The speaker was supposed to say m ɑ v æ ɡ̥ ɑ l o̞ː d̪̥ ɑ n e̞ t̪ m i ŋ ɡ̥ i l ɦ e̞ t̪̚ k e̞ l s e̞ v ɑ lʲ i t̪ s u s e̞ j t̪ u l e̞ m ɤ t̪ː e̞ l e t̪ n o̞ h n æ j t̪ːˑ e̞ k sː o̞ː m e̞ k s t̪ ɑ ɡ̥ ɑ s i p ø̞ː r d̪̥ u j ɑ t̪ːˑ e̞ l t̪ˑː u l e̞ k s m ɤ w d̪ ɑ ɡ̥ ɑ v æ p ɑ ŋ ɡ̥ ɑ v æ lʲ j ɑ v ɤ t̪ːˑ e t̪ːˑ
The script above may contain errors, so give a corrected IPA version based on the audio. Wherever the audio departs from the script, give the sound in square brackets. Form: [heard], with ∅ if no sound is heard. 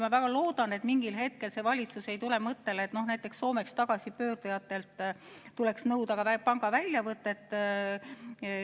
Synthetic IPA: m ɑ v æ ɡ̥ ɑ l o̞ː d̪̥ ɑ n e̞ t̪ m i ŋ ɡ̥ i l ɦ e̞ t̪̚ k e̞ l s e̞ v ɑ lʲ i t̪ s u s e̞ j t̪ u l e̞ m ɤ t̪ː e̞ l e t̪ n o̞ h n æ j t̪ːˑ e̞ k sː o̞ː m e̞ k s t̪ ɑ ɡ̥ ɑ s i p ø̞ː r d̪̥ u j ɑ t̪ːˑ e̞ l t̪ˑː u l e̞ k s [n] ɤ w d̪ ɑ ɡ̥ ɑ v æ p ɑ ŋ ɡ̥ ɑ v æ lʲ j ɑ v ɤ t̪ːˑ e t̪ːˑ